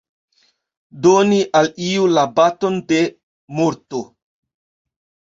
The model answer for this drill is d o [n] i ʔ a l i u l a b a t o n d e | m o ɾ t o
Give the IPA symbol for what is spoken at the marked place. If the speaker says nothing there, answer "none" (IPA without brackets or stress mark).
n